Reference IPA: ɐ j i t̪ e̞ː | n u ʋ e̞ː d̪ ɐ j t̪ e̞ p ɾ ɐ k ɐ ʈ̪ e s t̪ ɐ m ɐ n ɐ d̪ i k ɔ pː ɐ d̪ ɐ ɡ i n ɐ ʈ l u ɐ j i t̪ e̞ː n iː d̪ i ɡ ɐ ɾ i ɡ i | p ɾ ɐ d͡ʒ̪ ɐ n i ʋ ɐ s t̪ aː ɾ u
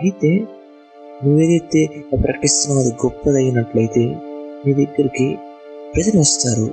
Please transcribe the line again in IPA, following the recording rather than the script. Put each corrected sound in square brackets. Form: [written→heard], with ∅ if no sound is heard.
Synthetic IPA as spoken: ɐ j i t̪ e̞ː | n u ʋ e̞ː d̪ ɐ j t̪ e̞ p ɾ ɐ k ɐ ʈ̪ [e→i] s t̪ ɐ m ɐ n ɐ d̪ i [k→ɡ] ɔ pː ɐ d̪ ɐ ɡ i n ɐ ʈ l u ɐ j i t̪ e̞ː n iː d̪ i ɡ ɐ ɾ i [ɡ→k] i | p ɾ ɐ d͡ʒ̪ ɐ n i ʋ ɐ s t̪ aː ɾ u